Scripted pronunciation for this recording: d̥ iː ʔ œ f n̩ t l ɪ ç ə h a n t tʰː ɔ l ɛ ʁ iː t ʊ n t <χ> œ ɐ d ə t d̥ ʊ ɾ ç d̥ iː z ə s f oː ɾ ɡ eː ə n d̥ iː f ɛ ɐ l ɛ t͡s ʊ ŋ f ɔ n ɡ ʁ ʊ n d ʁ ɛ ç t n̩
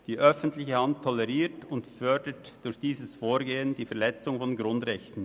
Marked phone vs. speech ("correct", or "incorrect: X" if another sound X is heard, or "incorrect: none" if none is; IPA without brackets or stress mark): incorrect: f